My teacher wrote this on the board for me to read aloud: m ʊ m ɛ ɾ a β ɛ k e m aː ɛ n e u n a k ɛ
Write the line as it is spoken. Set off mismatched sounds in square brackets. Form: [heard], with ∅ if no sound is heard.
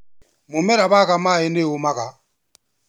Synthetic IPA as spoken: m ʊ m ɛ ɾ a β [a] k [a] m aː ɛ n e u [m] a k [a]